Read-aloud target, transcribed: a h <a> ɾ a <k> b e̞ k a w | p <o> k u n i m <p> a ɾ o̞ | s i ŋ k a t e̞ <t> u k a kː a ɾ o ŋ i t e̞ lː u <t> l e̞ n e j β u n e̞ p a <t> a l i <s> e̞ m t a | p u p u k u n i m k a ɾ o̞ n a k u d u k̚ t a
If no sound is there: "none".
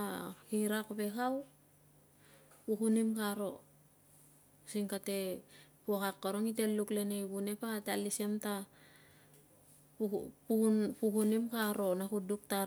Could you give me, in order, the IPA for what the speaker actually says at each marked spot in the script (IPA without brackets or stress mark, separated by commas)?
i, k, u, k, p, k, t, s